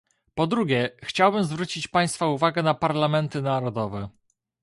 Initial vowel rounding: rounded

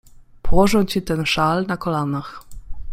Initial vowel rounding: rounded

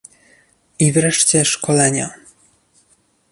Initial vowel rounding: unrounded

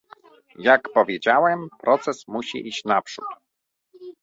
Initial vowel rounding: unrounded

